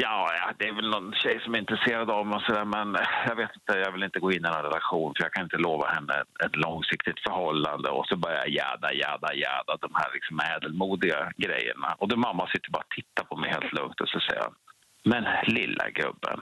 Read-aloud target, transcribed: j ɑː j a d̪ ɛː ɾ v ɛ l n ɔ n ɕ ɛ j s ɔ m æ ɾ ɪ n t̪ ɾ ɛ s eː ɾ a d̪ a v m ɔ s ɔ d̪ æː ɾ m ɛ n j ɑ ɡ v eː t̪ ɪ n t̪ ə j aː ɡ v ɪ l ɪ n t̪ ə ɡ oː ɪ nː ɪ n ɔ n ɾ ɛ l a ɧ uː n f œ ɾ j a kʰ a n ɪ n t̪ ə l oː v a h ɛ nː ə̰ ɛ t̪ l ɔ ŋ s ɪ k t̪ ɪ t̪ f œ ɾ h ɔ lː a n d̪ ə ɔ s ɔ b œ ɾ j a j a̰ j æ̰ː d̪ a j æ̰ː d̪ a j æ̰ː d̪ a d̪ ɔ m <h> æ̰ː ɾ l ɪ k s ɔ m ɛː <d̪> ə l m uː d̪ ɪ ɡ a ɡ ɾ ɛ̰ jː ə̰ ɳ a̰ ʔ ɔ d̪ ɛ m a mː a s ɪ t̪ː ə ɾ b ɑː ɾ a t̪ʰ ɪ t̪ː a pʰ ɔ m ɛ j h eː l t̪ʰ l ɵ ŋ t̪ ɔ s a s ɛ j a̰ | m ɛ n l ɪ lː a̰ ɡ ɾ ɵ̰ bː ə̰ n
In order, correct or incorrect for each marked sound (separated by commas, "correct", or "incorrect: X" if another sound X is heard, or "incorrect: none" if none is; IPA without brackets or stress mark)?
correct, correct